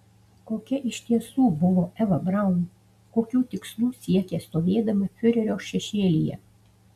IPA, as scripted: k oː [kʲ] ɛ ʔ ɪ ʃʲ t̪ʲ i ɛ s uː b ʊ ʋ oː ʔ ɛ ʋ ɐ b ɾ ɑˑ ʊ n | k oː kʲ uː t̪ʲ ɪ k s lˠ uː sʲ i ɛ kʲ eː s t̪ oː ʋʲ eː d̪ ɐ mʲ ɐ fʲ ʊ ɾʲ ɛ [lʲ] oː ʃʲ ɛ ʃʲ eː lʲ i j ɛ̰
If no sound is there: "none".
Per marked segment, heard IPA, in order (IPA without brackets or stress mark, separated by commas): kʲ, ɾʲ